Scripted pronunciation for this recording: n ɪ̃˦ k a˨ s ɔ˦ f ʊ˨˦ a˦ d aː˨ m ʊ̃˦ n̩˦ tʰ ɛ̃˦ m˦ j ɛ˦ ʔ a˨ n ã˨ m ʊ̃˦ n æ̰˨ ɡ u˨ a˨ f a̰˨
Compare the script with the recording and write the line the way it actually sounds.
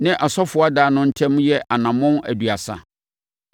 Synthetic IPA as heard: n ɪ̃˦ ʔ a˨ s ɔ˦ f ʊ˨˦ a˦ d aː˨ n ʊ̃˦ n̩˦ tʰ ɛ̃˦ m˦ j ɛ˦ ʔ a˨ n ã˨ m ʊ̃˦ n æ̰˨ d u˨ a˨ s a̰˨